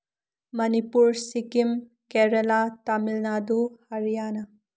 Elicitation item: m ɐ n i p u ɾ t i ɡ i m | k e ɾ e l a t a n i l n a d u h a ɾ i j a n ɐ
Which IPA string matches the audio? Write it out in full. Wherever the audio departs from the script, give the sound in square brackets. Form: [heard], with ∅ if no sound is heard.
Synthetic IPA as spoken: m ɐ n i p u ɾ [s] i [k] i m | k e ɾ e l a t a [m] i l n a d u h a ɾ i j a n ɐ